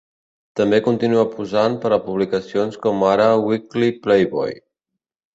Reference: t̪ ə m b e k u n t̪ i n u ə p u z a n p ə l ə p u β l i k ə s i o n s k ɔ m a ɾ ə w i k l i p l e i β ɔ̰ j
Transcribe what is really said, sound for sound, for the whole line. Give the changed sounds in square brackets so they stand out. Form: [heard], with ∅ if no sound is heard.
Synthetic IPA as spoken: t̪ ə m b e k u n t̪ i n u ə p u z a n p ə [ɾ] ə p u β l i k ə s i o n s k ɔ m a ɾ ə w i k l i p l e [j] β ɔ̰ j